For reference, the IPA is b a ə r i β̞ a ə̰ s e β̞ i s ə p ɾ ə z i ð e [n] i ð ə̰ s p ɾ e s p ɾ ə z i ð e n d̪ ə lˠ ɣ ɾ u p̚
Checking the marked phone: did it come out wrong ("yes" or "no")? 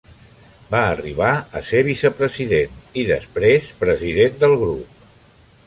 no